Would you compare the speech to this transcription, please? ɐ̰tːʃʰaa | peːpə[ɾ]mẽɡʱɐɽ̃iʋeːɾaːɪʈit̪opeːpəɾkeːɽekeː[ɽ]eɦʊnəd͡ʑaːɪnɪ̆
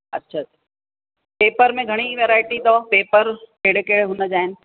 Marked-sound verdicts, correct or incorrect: correct, correct

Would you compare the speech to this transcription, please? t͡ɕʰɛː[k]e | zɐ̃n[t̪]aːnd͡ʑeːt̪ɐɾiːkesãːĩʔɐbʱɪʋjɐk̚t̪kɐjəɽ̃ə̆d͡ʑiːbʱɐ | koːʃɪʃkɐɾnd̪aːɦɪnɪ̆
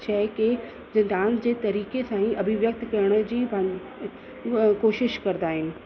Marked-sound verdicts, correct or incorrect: correct, incorrect

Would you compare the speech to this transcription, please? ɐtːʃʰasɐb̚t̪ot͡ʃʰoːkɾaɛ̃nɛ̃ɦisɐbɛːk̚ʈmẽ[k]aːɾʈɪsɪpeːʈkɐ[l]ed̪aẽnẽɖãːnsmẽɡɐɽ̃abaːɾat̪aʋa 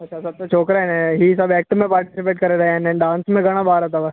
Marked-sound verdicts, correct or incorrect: incorrect, incorrect

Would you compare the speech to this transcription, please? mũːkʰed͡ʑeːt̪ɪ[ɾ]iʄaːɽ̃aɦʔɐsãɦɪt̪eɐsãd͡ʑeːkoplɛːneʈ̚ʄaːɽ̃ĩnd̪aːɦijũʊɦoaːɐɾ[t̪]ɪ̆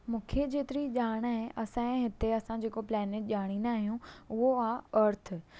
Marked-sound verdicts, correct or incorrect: correct, incorrect

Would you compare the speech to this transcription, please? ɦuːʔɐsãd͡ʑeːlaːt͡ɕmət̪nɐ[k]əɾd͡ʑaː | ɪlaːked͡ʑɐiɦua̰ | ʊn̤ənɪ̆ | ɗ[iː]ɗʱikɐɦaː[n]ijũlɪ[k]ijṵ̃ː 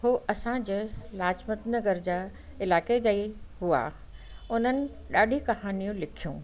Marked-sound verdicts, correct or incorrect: incorrect, incorrect, correct, incorrect

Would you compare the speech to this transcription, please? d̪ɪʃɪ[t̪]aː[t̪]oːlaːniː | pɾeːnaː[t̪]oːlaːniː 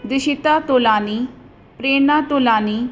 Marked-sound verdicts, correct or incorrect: correct, correct, correct

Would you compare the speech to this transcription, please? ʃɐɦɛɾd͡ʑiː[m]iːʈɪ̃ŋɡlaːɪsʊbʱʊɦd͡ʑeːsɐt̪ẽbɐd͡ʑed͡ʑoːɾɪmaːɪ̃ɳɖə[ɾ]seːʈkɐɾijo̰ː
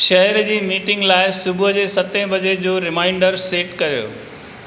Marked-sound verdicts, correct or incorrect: correct, correct

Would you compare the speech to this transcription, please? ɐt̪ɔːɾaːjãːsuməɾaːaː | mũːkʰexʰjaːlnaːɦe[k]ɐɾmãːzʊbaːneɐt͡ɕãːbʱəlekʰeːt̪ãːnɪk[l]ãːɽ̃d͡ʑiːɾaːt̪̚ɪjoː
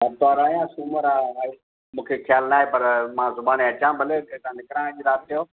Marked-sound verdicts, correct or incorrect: incorrect, incorrect

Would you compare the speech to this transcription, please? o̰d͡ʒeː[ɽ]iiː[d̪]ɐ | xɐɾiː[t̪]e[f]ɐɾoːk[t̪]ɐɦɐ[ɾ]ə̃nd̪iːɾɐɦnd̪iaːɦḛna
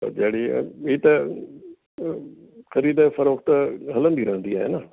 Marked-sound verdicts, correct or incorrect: correct, incorrect, incorrect, correct, correct, incorrect

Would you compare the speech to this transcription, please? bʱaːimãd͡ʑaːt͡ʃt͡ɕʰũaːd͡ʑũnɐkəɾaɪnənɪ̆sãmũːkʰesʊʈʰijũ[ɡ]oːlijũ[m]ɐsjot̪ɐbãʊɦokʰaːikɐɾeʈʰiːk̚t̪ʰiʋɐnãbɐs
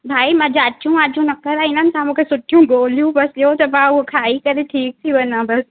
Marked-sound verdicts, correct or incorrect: correct, incorrect

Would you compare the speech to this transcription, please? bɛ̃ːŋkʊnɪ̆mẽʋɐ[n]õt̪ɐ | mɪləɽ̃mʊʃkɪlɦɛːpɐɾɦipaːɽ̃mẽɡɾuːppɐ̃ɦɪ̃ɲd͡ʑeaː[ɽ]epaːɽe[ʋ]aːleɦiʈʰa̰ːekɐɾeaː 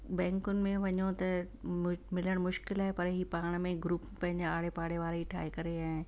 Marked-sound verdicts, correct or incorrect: incorrect, correct, correct

